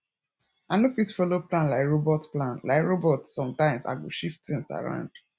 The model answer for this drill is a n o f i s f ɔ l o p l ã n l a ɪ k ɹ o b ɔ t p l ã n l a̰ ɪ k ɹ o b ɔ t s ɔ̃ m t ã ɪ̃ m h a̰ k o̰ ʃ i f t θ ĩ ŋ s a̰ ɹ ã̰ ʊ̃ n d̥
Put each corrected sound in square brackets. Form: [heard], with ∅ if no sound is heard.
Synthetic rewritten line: a n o f i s f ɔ l o p l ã n l a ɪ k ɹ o b ɔ t p l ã n l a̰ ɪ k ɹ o b ɔ t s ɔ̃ m t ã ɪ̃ m [s] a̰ [ɡ] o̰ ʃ i f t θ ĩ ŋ s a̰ ɹ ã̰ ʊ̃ n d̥

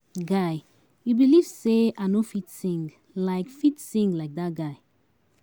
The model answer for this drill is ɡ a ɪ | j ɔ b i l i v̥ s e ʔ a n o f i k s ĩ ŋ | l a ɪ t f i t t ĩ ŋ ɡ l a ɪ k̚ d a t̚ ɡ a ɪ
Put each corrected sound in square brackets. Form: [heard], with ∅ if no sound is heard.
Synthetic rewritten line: ɡ a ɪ | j [u] b i l i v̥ s e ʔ a n o f i [t] s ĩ ŋ | l a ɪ [k] f i t [s] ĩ ŋ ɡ l a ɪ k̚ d a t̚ ɡ a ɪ

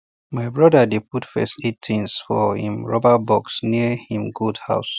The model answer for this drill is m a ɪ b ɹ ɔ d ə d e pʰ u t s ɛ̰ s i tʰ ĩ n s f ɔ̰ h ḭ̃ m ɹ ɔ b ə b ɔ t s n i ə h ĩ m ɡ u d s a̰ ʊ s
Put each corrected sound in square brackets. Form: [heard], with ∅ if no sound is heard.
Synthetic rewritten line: m a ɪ b ɹ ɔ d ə d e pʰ u t [f] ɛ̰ s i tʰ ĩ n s f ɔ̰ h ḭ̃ m ɹ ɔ b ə b ɔ [k] s n i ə h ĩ m ɡ u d [h] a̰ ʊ s

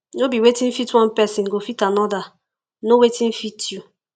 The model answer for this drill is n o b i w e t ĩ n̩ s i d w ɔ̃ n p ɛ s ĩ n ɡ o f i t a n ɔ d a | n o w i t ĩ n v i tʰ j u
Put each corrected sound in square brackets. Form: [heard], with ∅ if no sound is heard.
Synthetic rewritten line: n o b i w e t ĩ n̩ [f] i [t] w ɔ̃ n p ɛ s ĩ n ɡ o f i t a n ɔ d a | n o w [e] t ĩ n [f] i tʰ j u

